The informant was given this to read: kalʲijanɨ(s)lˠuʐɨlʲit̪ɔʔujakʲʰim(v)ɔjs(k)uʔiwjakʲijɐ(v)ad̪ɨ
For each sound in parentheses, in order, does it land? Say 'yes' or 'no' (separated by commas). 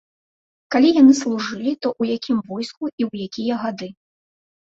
yes, yes, yes, no